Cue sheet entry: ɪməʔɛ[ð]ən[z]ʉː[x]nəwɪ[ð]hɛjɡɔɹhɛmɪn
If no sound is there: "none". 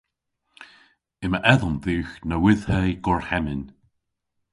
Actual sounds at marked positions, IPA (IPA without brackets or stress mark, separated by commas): ð, ð, x, ð